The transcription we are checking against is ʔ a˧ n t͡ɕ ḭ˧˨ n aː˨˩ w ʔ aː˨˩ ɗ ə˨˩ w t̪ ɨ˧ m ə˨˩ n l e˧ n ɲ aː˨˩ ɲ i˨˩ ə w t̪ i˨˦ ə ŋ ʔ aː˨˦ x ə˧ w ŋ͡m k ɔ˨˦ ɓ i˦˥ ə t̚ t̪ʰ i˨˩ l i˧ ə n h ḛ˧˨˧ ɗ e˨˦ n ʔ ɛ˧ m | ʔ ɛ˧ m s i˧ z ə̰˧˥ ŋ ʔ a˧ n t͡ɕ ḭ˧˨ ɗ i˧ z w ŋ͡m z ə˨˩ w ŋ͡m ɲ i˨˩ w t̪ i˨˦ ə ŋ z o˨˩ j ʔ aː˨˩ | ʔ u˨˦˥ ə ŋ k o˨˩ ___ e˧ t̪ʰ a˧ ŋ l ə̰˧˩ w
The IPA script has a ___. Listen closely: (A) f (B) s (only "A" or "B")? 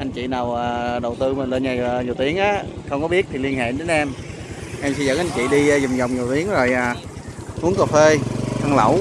A